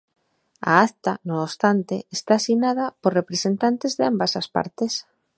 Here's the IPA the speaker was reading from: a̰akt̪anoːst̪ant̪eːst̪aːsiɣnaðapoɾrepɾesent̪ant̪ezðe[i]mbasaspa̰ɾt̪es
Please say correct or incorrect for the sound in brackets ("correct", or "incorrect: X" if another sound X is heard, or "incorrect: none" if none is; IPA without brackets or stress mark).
incorrect: a